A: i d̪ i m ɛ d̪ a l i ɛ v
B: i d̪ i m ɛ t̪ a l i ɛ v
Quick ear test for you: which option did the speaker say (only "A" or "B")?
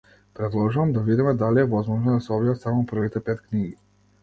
A